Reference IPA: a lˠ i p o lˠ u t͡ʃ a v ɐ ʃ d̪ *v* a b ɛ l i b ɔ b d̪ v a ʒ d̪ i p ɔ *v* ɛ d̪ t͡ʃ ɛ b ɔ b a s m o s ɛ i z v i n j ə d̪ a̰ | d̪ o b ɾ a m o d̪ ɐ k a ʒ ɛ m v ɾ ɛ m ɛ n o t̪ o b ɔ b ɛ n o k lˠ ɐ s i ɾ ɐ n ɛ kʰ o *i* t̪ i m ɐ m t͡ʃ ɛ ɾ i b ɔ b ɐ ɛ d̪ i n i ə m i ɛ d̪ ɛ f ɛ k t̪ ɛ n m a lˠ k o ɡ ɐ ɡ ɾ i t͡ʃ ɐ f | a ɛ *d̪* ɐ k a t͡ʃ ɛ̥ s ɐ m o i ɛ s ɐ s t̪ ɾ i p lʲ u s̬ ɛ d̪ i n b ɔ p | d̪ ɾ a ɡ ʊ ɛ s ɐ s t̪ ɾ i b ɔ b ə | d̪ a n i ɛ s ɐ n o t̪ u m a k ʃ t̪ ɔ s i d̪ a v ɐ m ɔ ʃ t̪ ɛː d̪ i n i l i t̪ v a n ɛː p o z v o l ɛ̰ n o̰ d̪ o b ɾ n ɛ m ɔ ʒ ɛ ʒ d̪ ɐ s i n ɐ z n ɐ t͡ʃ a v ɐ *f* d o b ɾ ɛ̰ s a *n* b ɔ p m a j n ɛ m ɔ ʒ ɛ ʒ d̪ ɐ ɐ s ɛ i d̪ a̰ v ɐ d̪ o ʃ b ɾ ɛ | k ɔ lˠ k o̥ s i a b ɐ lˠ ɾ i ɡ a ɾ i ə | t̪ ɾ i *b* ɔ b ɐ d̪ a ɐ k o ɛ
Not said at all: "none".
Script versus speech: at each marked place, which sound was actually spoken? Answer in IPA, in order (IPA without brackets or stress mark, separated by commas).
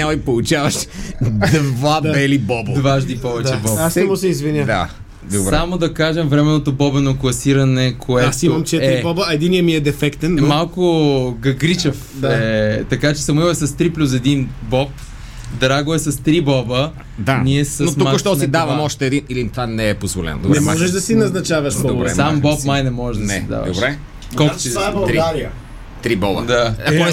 v, v, ɛ, t̪, ʃ, m, b